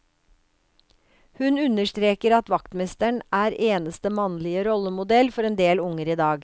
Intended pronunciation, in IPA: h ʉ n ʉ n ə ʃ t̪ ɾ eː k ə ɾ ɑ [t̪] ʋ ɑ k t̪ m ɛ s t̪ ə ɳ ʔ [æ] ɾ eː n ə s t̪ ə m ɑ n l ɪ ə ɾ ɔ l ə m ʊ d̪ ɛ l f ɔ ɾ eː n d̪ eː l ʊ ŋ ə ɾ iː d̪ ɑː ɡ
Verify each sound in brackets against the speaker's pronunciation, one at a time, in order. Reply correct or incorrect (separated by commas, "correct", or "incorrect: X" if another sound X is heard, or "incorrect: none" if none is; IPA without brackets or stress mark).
correct, incorrect: æː